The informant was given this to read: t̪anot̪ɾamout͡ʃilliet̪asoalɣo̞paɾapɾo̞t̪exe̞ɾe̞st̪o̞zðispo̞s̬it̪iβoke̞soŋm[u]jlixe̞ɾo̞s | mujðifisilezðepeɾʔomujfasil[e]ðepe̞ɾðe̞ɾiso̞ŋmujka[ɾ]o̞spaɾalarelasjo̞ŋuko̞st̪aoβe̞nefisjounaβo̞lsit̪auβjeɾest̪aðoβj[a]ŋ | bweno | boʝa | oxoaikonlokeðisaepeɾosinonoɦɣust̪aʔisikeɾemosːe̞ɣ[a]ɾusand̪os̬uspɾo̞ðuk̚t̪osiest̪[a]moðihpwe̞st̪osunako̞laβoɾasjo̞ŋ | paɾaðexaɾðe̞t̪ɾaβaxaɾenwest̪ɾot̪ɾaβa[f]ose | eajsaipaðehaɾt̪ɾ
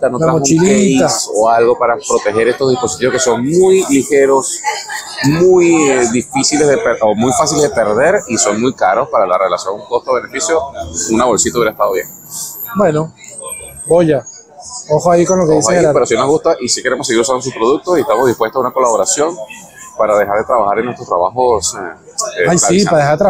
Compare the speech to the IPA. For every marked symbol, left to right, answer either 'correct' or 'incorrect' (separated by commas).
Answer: correct, correct, correct, incorrect, incorrect, correct, incorrect